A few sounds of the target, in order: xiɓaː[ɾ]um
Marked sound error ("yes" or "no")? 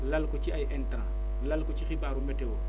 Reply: no